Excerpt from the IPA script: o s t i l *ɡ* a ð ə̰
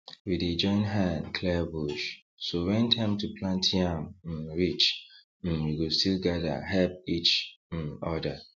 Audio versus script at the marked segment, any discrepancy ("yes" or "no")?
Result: no